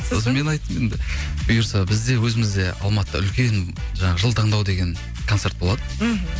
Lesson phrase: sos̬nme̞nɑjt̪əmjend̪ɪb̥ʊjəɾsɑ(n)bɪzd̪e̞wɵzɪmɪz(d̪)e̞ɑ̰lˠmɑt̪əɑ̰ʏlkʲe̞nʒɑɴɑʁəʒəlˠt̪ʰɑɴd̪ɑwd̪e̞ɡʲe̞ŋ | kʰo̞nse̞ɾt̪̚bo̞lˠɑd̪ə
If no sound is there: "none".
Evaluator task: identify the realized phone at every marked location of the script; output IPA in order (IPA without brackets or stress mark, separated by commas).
none, d̪